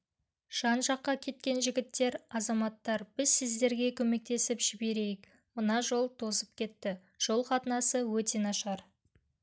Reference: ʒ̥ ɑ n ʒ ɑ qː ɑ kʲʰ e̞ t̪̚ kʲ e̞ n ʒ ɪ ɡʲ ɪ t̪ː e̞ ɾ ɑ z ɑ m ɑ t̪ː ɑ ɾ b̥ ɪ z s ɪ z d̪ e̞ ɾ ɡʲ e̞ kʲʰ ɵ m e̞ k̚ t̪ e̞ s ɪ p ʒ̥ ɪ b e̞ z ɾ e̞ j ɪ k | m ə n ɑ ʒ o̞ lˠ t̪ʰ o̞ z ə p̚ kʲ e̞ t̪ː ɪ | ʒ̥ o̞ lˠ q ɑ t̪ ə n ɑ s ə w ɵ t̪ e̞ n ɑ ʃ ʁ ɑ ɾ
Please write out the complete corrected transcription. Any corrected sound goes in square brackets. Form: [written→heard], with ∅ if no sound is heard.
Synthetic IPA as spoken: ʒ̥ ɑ n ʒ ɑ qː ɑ kʲʰ e̞ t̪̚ kʲ e̞ n ʒ ɪ ɡʲ ɪ t̪ː e̞ ɾ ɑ z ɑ m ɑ t̪ː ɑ ɾ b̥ ɪ z s ɪ z d̪ e̞ ɾ ɡʲ e̞ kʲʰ ɵ m e̞ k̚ t̪ e̞ s ɪ p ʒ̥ ɪ b e̞ [z→∅] ɾ e̞ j ɪ k | m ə n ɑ ʒ o̞ lˠ t̪ʰ o̞ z ə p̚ kʲ e̞ t̪ː ɪ | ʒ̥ o̞ lˠ q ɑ t̪ ə n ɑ s ə w ɵ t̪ e̞ n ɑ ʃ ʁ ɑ ɾ